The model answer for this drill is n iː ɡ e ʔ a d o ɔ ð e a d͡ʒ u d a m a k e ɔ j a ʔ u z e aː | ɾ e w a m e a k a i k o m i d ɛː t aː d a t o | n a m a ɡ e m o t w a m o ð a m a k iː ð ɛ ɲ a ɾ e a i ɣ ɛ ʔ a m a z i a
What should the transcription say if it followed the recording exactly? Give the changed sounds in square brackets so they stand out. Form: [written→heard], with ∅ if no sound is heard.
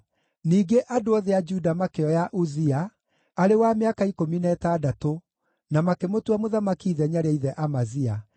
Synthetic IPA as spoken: n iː ɡ e ʔ a d o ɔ ð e a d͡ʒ u d a m a k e ɔ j a ʔ u z [e→i] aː | ɾ e w a m e a k a i k o m i [d→n] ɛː t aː d a t o | n a m a [ɡ→k] e m o t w a m o ð a m a k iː ð ɛ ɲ a ɾ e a i [ɣ→ð] ɛ ʔ a m a z i a